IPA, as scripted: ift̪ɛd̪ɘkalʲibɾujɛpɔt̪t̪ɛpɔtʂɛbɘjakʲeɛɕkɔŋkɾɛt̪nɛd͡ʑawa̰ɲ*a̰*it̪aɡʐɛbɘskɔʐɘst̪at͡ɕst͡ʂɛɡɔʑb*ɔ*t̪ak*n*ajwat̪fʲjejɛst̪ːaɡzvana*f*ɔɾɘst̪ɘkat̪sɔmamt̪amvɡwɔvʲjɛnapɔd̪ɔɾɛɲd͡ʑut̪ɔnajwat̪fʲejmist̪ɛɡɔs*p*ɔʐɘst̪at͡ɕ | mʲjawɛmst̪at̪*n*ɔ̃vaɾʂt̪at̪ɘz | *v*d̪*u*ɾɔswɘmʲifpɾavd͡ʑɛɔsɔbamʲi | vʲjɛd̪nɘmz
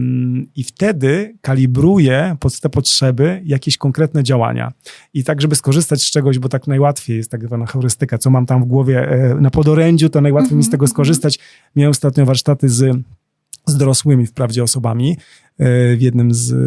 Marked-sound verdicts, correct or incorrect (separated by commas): correct, correct, correct, incorrect, incorrect, incorrect, incorrect, incorrect